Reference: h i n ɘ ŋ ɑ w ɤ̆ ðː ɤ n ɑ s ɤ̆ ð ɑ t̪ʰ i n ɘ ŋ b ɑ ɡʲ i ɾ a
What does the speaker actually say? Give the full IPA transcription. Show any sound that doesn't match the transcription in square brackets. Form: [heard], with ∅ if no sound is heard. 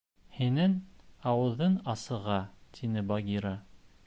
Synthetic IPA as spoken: h i n ɘ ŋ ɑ w ɤ̆ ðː ɤ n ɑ s ɤ̆ [ʁ] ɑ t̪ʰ i n ɘ [∅] b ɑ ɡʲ i ɾ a